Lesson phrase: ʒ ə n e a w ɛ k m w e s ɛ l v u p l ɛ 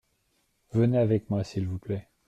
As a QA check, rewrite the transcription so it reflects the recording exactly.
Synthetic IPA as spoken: v ə n e a v ɛ k m w a s i l v u p l ɛ